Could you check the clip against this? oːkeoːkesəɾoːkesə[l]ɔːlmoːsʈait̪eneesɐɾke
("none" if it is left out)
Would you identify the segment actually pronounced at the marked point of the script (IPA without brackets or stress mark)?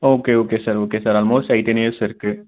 ɾ